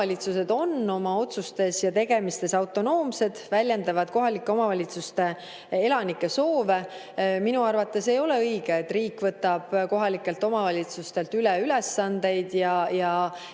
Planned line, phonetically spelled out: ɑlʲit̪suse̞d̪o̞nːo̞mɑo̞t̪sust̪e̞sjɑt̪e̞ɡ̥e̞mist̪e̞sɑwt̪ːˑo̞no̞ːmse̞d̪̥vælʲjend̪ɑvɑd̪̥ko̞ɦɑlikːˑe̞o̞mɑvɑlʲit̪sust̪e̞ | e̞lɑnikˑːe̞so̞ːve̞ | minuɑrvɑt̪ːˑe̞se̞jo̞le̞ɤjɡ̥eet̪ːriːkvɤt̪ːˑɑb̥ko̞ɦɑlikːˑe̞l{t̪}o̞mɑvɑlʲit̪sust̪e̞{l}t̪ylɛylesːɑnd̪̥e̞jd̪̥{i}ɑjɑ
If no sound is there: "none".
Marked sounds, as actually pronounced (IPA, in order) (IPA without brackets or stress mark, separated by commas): t̪, l, j